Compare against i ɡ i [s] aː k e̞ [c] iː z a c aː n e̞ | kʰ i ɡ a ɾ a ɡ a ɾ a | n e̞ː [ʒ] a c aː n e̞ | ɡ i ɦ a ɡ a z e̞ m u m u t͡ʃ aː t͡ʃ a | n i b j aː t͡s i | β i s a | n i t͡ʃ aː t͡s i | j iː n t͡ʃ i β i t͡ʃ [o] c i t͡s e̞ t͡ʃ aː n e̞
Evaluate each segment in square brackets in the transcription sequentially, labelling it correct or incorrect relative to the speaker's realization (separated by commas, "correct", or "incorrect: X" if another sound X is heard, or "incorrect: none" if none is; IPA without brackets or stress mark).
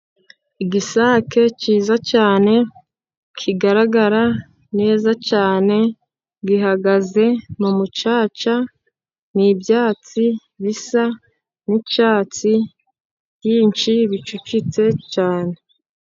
correct, correct, incorrect: z, incorrect: u